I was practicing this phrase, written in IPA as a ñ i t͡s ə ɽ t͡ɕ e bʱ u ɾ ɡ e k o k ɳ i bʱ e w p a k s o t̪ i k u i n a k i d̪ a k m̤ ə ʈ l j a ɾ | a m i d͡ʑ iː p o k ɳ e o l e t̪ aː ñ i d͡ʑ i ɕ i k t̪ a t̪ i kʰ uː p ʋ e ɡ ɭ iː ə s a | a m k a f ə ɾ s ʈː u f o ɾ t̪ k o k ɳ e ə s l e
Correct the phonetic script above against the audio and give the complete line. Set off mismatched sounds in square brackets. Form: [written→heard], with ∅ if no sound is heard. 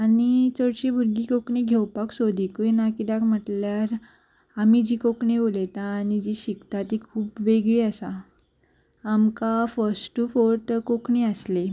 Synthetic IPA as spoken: a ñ i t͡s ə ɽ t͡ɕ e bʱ u ɾ ɡ [e→i] k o k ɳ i [bʱ→ɡʱ] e w p a k s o [t̪→d̪] i k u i n a k i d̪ a k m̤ ə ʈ l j a ɾ | a m i d͡ʑ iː [p→k] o k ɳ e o l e t̪ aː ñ i d͡ʑ i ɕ i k t̪ a t̪ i kʰ uː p ʋ e ɡ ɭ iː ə s a | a m k a f ə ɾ s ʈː u f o ɾ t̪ k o k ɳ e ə s l e